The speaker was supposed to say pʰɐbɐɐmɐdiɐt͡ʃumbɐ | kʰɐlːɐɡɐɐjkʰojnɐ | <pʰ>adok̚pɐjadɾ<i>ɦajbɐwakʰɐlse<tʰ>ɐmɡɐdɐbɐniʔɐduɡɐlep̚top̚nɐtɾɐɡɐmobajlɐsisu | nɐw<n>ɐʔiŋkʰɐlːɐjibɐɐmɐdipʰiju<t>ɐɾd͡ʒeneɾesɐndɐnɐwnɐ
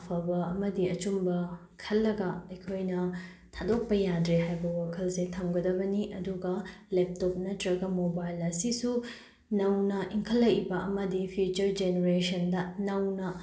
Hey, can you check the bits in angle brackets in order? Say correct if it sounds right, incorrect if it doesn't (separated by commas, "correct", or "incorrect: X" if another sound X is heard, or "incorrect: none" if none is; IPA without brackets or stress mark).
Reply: incorrect: tʰ, incorrect: e, correct, correct, incorrect: t͡ʃ